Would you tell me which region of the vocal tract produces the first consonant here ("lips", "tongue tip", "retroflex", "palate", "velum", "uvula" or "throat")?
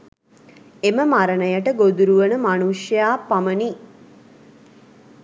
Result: lips